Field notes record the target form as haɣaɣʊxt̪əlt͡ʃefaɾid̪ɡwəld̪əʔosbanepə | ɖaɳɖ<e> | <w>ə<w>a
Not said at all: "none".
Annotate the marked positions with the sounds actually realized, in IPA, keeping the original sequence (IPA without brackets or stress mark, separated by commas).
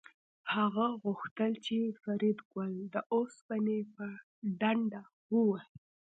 a, w, w